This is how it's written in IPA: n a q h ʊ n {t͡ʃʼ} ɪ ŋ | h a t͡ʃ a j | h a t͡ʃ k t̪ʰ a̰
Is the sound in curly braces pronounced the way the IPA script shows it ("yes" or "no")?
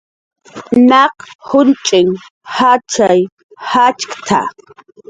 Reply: yes